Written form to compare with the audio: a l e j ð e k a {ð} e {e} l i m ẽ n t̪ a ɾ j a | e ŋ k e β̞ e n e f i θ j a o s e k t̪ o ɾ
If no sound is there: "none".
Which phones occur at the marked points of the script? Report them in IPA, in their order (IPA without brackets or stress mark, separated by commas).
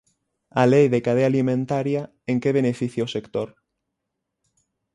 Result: ð, a